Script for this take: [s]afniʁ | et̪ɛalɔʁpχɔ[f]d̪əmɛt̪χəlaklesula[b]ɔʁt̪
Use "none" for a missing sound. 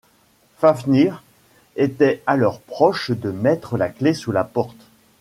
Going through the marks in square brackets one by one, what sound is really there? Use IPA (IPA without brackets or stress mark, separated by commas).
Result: f, ʃ, p